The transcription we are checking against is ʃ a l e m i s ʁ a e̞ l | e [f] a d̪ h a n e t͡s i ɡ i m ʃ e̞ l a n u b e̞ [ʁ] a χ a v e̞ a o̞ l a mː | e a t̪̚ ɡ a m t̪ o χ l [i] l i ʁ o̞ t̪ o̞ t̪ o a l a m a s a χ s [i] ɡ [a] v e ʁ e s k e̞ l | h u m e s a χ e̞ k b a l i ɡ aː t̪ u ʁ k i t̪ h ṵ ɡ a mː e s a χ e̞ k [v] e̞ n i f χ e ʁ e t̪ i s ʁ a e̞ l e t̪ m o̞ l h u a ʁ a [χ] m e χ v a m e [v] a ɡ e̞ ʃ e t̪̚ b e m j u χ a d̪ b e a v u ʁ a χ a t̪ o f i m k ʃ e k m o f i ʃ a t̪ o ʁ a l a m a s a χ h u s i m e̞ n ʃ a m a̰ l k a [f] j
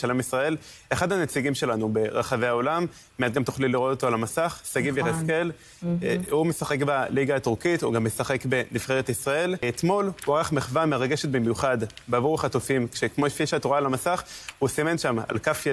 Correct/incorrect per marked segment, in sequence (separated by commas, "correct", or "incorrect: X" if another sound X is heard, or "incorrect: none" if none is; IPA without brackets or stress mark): incorrect: χ, correct, correct, incorrect: a, incorrect: i, incorrect: b, correct, incorrect: ʁ, correct